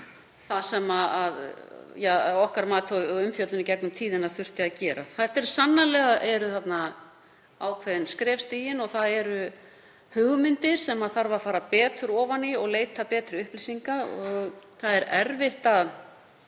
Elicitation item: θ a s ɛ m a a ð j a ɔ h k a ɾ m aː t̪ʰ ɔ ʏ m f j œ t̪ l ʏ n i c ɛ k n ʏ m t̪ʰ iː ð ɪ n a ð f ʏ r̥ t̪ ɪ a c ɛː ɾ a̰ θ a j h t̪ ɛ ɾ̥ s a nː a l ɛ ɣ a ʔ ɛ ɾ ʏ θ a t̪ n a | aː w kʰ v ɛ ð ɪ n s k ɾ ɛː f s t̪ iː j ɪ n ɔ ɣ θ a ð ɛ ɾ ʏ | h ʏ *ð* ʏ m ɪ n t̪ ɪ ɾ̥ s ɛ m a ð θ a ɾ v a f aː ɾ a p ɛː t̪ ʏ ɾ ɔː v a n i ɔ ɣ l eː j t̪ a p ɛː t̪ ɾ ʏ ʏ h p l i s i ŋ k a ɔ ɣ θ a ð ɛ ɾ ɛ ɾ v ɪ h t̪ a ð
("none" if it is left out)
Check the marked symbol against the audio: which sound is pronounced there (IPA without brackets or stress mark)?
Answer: ɣ